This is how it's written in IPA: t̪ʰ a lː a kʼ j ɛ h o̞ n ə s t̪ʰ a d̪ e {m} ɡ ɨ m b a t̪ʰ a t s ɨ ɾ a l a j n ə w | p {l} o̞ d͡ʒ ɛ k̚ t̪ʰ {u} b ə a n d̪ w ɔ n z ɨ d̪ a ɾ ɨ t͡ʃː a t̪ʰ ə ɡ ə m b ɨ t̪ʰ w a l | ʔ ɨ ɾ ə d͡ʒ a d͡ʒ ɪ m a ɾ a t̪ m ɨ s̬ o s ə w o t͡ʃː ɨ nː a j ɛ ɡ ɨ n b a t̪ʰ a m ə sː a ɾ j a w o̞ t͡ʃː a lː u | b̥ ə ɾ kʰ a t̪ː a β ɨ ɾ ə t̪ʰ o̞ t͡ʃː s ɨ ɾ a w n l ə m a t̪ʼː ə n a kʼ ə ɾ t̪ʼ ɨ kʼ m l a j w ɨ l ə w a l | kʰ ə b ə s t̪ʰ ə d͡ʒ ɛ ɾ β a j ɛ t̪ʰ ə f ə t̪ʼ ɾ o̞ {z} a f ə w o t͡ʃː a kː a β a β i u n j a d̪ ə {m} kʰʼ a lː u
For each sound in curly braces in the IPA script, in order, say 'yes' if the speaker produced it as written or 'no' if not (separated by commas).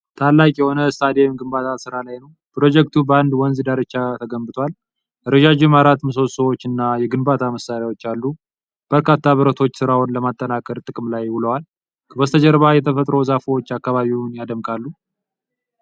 yes, no, yes, yes, yes